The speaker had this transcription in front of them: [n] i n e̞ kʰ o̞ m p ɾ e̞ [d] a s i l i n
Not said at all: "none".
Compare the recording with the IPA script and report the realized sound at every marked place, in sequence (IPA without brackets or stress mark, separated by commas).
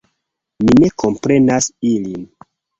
m, n